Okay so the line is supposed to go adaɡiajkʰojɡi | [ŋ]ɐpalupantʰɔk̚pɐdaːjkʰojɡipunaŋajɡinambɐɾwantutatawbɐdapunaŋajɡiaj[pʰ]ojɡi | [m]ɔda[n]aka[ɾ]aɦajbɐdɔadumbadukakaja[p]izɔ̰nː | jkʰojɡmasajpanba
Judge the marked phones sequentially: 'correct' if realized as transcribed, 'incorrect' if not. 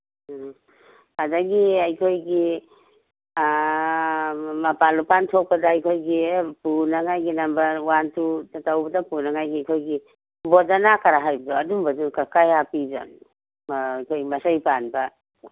incorrect: m, incorrect: kʰ, incorrect: b, correct, correct, correct

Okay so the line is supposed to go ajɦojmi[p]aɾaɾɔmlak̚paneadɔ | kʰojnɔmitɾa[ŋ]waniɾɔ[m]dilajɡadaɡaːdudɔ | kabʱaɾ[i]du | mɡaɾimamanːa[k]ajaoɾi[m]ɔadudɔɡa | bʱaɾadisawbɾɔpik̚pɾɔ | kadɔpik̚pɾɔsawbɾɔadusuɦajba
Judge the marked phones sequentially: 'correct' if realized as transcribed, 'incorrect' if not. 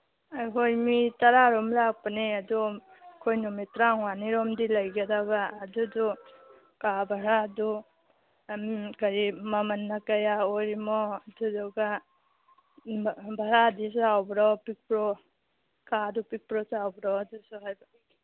incorrect: t, correct, correct, incorrect: a, correct, correct

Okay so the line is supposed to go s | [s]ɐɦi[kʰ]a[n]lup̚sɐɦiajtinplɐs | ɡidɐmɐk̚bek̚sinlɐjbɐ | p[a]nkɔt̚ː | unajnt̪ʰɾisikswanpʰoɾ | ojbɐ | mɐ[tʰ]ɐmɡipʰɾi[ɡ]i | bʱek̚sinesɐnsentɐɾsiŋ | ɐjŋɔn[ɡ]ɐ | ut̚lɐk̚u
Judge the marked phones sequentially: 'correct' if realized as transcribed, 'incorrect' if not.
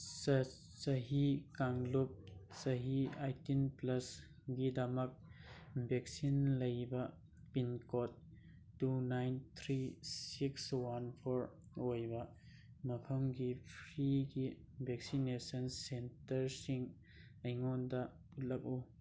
correct, incorrect: k, incorrect: ŋ, incorrect: i, incorrect: pʰ, correct, incorrect: d

